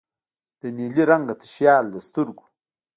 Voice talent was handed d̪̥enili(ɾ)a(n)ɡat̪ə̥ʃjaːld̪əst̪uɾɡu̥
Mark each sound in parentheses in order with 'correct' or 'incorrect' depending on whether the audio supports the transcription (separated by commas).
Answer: correct, incorrect